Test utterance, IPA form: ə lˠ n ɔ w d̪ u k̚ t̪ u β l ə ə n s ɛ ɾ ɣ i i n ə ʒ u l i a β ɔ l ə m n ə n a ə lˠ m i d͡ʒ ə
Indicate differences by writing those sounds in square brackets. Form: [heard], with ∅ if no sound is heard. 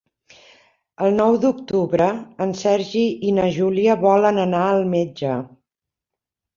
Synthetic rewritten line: ə lˠ n ɔ w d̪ u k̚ t̪ u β [ɾ] ə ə n s ɛ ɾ [ʒ] i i n ə ʒ u l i [ə] β ɔ l ə [∅] n ə n a ə lˠ m [e] d͡ʒ ə